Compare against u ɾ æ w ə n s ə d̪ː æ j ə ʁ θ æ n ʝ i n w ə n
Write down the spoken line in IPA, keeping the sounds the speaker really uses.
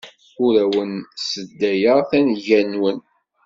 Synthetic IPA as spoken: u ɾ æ w ə n s ə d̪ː æ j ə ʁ θ æ n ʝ æ n w ə n